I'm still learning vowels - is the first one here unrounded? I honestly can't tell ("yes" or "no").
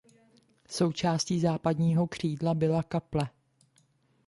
no